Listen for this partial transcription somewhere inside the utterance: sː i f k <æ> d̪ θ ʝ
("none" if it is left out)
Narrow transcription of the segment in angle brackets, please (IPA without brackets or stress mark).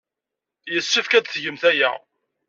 æ